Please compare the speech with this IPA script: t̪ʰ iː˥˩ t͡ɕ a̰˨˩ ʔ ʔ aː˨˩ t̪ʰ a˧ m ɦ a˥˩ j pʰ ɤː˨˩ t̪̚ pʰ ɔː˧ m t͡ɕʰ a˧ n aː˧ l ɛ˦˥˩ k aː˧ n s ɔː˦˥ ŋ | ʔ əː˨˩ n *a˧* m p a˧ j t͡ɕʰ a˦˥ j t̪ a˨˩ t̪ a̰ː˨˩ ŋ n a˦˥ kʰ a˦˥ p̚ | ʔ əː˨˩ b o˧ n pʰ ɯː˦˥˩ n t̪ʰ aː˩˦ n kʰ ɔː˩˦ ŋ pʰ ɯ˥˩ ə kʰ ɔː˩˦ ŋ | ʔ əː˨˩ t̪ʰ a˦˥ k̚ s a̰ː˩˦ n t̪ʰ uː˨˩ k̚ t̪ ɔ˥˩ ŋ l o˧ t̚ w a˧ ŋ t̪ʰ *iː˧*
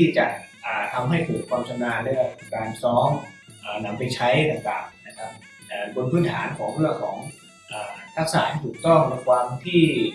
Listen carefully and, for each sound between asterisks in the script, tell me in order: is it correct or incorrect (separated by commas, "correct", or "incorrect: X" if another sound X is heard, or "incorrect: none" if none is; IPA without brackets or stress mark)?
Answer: correct, incorrect: iː˥˩